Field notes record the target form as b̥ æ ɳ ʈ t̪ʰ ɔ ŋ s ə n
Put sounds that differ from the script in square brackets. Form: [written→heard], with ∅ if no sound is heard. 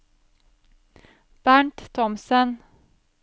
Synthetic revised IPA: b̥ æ ɳ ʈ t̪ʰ ɔ [ŋ→m] s ə n